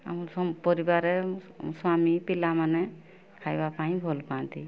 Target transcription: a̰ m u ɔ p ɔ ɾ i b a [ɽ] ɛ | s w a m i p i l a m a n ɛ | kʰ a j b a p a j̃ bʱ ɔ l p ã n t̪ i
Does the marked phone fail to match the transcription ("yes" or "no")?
yes